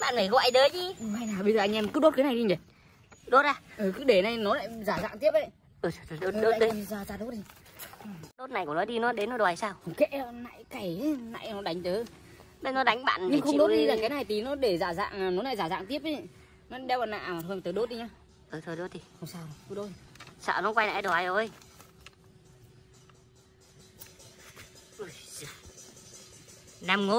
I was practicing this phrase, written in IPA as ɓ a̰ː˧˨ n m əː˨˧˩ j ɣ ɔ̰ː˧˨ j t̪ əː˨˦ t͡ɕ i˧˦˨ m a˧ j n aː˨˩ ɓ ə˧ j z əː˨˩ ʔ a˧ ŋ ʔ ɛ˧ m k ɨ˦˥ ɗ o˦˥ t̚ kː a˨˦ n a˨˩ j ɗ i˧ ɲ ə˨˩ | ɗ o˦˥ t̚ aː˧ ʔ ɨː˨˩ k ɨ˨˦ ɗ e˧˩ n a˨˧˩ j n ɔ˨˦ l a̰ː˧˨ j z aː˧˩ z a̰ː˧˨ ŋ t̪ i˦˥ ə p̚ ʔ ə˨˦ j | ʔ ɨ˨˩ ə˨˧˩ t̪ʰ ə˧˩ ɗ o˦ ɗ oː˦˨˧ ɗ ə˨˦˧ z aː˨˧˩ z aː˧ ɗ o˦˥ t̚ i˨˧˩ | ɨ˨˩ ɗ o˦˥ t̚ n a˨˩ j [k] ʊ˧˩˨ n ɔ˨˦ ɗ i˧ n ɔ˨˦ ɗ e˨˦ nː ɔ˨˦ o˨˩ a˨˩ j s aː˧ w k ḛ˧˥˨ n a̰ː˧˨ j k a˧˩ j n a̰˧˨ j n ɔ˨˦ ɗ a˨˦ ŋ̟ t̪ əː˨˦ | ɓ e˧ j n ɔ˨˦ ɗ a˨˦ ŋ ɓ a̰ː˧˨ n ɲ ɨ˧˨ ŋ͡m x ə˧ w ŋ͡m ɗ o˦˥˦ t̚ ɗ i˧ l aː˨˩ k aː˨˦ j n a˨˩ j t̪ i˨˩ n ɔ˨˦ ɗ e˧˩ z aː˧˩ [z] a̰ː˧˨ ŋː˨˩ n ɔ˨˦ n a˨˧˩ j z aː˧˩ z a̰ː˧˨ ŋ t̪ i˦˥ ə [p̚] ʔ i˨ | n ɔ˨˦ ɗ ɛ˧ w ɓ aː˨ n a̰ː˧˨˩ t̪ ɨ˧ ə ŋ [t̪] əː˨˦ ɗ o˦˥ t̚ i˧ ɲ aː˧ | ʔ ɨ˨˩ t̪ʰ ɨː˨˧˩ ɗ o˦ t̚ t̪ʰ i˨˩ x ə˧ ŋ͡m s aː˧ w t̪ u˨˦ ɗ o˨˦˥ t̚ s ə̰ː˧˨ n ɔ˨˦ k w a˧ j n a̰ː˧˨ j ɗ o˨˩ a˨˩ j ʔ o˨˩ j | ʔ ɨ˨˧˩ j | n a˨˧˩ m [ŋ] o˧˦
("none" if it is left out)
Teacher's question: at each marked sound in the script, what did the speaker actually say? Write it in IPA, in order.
k, z, p̚, t̪, ŋ

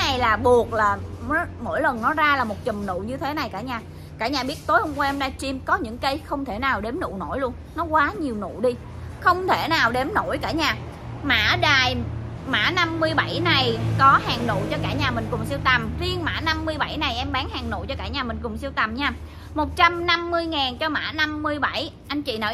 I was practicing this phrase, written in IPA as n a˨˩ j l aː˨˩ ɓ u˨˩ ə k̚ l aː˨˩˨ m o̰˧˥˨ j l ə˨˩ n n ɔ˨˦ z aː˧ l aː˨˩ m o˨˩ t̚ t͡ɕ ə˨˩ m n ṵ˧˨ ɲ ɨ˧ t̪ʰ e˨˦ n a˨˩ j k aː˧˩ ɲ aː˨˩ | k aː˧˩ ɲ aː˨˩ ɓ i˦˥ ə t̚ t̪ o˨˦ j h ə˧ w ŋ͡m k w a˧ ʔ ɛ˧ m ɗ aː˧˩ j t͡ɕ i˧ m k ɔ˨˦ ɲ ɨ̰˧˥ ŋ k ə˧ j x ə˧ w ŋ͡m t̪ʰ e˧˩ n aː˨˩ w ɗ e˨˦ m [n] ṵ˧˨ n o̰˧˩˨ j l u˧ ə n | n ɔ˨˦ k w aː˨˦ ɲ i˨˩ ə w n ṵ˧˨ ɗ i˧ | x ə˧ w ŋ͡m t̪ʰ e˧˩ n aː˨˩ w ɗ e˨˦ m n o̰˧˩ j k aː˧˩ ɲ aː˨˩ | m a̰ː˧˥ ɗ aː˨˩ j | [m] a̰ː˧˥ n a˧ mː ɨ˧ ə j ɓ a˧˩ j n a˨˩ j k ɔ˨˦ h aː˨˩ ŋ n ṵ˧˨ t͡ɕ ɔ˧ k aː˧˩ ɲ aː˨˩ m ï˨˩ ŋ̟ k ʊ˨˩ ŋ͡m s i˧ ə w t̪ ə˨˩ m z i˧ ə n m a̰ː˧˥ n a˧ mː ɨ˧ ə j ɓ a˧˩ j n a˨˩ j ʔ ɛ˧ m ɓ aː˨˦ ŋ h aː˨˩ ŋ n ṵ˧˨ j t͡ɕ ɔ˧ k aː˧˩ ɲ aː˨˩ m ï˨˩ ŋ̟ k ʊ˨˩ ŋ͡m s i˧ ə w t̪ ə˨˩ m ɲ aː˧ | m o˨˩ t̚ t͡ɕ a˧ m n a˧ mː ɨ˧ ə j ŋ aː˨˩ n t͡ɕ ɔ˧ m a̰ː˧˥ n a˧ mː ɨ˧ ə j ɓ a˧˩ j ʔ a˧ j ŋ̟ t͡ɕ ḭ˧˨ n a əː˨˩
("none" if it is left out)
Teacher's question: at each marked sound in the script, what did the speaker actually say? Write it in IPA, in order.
n, m

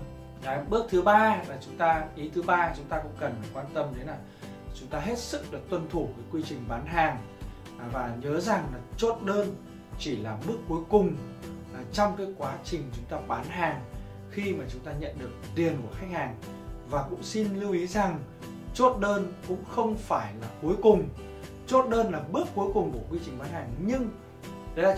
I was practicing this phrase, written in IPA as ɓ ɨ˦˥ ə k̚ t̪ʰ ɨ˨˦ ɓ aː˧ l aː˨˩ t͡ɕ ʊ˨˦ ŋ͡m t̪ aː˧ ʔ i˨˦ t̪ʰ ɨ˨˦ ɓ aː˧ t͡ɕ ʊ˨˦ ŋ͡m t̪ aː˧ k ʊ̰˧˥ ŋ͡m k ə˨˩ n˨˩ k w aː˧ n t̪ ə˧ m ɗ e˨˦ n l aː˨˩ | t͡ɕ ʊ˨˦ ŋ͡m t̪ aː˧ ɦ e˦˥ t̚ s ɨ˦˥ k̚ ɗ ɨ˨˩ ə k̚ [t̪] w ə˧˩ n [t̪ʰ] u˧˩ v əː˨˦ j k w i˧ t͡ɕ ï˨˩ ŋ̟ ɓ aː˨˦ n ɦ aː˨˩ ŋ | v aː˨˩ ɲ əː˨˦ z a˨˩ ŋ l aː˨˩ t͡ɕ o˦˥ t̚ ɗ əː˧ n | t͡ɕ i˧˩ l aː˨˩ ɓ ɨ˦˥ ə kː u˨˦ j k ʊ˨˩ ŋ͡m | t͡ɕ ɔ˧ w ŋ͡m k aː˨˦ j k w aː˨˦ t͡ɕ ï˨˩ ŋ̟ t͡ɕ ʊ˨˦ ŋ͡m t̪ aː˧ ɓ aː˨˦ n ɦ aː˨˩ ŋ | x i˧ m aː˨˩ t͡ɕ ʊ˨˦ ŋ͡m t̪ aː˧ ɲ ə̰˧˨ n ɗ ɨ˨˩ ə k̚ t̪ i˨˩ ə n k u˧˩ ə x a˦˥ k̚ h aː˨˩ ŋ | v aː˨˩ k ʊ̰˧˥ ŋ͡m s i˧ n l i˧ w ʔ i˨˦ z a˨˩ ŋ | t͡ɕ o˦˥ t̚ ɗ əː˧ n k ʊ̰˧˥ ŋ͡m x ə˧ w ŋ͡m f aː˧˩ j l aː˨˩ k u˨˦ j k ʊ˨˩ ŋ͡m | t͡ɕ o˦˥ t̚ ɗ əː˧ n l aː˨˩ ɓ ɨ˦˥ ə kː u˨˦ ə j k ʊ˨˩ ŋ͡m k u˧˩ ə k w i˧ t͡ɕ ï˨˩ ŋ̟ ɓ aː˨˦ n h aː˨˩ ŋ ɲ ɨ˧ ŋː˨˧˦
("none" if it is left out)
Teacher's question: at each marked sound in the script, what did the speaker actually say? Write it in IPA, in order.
t̪, t̪ʰ

